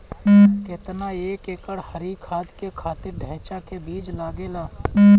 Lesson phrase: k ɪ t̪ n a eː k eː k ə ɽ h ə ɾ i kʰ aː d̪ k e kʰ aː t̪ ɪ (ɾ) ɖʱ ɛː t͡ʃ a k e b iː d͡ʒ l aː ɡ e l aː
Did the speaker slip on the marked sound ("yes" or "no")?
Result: no